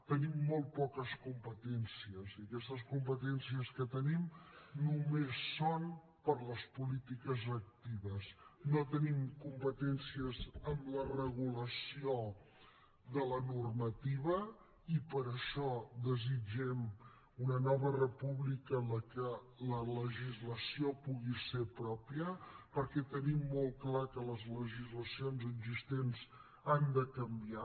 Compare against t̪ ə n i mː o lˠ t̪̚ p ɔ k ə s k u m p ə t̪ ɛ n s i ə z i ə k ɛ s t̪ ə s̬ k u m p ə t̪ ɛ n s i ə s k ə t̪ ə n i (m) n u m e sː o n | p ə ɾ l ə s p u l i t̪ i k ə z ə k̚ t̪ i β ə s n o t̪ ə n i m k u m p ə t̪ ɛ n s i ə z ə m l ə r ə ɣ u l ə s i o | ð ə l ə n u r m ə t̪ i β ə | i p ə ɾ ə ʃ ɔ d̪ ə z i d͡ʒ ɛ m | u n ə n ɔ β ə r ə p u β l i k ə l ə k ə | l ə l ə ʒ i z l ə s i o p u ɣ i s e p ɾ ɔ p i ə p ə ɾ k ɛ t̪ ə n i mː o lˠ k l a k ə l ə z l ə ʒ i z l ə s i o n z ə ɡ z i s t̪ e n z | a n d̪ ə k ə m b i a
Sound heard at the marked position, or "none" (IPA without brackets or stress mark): m